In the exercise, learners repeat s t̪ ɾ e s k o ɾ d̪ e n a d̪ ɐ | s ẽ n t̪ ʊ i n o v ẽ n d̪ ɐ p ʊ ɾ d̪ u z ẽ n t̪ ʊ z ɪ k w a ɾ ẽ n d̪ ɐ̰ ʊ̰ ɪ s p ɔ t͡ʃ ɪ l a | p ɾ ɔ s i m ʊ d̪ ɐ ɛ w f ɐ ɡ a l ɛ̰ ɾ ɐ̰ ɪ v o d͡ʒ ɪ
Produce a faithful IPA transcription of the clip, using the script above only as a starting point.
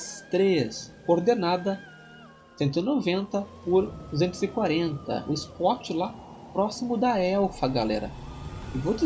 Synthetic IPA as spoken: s t̪ ɾ e s k o ɾ d̪ e n a d̪ ɐ | s ẽ n t̪ ʊ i n o v ẽ n t̪ ɐ p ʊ ɾ d̪ u z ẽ n t̪ ʊ z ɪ k w a ɾ ẽ n t̪ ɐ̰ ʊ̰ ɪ s p ɔ t͡ʃ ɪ l a | p ɾ ɔ s i m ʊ d̪ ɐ ɛ w f ɐ ɡ a l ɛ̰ ɾ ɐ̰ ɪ v o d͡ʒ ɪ

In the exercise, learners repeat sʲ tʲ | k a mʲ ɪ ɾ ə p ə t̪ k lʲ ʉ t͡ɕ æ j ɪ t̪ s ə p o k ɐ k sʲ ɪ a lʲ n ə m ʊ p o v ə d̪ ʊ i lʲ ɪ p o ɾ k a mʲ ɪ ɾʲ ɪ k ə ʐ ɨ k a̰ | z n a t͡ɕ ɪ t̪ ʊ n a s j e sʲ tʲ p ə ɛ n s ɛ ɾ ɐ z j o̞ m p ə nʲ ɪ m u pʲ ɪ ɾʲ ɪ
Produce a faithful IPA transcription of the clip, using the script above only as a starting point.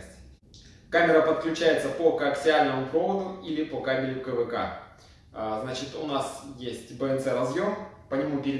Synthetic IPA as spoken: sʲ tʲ | k a mʲ ɪ ɾ ə p ə t̪ k lʲ ʉ t͡ɕ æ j ɪ t̪ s ə p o k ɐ k sʲ ɪ a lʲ n ə m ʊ p o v ə d̪ ʊ i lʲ ɪ p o k a mʲ ɪ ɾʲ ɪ k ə v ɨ k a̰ | z n a t͡ɕ ɪ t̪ ʊ n a s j e sʲ tʲ b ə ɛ n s ɛ ɾ ɐ z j o̞ m p ə nʲ ɪ m u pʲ ɪ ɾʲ ɪ

